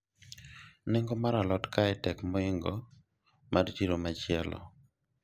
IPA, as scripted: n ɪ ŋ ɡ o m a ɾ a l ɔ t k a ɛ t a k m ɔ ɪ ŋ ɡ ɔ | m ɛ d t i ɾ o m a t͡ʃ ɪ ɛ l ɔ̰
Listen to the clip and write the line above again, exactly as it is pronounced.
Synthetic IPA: n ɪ ŋ ɡ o m a ɾ a l ɔ t k a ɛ t ɛ k m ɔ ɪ ŋ ɡ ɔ | m a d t i ɾ o m a t͡ʃ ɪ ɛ l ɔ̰